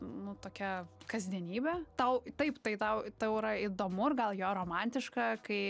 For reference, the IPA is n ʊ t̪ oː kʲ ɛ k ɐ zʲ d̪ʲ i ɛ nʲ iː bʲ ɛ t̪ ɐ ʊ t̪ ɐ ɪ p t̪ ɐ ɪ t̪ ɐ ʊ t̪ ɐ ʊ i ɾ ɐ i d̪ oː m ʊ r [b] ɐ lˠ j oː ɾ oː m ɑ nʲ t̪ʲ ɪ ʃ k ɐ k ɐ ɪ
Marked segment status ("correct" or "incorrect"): incorrect